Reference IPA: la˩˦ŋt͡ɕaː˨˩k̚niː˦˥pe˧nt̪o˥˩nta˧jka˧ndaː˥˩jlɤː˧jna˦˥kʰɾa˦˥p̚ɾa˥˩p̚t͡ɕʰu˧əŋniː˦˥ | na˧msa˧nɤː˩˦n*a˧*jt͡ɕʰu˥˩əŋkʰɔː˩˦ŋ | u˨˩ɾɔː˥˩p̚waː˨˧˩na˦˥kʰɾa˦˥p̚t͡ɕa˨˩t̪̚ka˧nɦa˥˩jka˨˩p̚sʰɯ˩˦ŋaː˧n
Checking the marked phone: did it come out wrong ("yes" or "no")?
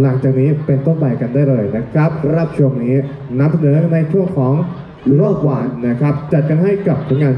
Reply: no